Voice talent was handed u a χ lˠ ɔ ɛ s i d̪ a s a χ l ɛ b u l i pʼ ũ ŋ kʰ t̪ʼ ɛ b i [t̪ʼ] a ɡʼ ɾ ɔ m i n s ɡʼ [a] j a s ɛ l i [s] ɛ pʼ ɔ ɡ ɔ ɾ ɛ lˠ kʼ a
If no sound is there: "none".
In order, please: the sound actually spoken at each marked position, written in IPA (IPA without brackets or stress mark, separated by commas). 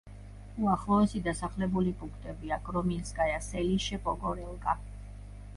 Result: none, a, ʃ